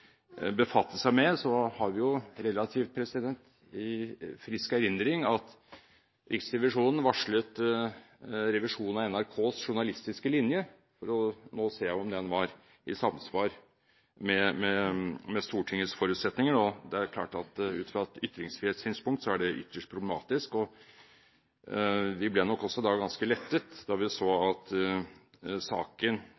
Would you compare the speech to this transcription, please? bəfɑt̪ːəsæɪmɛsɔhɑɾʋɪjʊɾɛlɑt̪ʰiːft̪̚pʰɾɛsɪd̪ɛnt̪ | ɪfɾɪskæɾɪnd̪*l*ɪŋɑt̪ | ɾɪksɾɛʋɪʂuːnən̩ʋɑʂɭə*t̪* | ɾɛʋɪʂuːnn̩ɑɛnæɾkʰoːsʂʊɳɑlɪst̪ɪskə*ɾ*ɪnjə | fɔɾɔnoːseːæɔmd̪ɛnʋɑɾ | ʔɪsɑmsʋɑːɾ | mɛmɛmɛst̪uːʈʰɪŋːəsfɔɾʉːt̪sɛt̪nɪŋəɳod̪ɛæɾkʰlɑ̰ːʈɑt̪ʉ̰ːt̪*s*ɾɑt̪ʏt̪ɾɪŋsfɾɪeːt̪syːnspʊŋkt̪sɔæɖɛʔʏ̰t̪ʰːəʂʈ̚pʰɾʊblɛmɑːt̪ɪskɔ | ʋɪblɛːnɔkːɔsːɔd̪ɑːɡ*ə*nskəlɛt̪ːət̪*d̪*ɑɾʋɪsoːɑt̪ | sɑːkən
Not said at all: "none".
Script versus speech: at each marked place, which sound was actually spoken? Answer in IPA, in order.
ɾ, t̪, l, f, ɑ, d̪

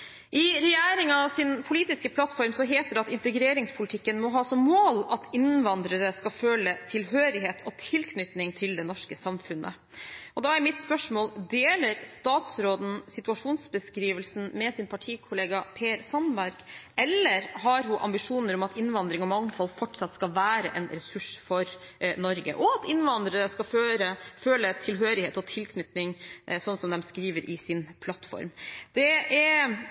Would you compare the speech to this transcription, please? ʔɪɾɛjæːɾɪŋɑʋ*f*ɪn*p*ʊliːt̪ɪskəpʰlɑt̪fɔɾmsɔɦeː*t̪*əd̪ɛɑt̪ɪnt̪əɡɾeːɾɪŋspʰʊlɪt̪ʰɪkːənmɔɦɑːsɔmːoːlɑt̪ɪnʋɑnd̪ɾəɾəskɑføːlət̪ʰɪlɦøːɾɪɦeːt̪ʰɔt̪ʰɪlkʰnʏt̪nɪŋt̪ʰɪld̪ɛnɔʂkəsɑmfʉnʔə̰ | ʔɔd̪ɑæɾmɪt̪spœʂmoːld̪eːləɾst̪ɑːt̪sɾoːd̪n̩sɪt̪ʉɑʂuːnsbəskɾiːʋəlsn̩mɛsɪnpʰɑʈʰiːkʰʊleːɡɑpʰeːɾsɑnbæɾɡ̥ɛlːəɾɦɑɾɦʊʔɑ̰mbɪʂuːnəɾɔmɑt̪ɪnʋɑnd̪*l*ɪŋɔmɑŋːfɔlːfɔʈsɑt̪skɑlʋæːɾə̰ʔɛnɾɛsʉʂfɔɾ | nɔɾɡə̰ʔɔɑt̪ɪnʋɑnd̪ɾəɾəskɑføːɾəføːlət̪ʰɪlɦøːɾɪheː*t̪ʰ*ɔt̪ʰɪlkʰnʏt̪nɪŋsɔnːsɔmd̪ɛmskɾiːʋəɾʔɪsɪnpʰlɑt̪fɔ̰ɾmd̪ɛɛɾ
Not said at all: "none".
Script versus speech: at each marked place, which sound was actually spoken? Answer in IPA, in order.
s, pʰ, t̪, ɾ, t̪

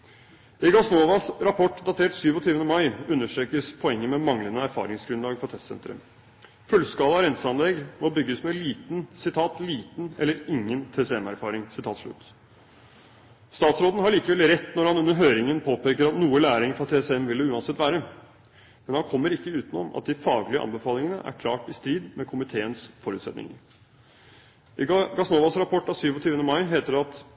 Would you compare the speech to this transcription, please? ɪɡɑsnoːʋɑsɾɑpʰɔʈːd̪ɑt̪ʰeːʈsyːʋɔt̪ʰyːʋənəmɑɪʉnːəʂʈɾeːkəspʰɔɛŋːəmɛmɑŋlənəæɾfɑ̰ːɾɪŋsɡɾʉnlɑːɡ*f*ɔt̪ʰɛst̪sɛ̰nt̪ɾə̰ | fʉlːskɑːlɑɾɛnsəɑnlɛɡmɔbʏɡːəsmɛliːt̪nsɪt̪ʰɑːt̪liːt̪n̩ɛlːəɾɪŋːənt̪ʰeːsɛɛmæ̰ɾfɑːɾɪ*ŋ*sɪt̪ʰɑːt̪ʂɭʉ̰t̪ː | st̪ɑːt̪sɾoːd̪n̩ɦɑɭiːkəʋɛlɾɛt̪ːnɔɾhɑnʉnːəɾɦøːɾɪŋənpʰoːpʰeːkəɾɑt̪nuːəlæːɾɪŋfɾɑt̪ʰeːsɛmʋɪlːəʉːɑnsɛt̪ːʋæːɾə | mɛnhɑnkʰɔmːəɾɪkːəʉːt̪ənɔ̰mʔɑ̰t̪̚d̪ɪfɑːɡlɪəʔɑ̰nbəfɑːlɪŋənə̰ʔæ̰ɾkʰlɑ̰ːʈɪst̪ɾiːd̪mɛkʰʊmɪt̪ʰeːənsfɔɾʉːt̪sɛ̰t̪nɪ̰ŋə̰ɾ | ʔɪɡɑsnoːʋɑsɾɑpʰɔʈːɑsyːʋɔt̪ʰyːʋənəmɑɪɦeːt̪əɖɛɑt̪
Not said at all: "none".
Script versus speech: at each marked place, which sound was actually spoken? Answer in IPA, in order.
f, ŋ

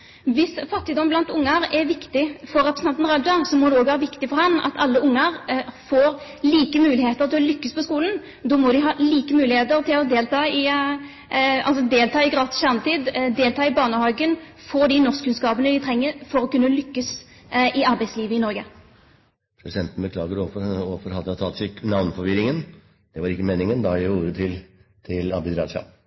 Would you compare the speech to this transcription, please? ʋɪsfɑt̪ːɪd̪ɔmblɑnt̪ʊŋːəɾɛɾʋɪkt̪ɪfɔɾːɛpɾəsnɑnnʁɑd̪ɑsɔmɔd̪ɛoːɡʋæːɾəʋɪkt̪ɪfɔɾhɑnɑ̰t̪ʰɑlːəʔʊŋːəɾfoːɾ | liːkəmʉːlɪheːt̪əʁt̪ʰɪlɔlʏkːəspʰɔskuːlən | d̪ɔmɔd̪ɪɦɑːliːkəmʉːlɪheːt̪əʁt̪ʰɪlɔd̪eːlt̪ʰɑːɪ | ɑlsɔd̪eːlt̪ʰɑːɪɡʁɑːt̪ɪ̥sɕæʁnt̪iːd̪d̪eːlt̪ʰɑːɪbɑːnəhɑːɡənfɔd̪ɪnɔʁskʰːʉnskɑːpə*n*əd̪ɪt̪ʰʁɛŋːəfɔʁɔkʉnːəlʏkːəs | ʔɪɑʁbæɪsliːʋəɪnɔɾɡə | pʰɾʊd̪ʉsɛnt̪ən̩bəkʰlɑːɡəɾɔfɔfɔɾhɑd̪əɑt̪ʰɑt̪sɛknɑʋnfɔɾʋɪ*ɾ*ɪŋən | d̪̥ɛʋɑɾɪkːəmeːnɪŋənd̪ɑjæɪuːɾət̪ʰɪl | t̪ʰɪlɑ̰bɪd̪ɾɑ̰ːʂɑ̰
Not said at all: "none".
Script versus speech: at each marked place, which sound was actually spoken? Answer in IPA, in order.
n, ɾ

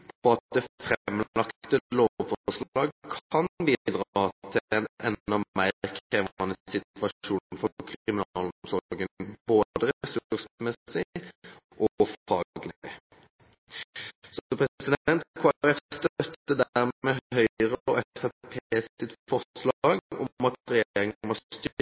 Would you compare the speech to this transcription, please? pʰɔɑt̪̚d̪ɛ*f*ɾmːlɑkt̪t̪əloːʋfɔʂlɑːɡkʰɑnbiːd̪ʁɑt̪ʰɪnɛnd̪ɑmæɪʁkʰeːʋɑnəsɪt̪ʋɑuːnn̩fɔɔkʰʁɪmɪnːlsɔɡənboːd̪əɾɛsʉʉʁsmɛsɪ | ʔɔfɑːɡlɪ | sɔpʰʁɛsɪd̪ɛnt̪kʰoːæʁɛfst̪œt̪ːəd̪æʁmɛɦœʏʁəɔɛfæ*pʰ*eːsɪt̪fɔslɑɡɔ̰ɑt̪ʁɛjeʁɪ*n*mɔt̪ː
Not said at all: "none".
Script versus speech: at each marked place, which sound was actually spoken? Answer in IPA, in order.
f, pʰ, ŋ

